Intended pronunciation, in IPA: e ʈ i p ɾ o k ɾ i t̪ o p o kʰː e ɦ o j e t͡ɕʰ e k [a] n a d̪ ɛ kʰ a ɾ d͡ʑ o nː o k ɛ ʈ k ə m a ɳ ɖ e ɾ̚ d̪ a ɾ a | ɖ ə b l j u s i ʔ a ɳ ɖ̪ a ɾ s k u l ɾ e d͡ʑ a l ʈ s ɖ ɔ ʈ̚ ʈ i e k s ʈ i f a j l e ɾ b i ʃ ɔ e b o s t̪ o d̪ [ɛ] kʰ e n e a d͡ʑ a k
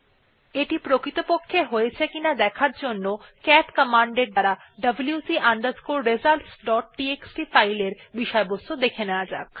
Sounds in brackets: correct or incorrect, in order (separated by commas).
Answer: incorrect, incorrect